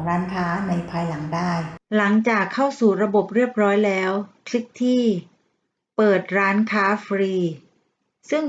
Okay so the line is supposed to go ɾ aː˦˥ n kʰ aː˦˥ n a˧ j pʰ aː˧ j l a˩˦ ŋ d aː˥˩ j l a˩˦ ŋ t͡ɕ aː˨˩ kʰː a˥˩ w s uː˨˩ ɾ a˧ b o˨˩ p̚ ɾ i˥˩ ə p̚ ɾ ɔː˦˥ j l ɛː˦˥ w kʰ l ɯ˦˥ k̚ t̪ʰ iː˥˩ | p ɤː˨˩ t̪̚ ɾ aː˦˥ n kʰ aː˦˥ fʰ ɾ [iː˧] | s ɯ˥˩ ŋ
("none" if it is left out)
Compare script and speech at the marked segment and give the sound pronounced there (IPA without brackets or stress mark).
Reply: iː˧